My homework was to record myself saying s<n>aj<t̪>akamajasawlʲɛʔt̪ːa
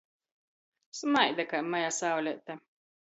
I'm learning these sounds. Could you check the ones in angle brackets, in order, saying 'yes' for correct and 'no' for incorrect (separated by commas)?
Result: no, no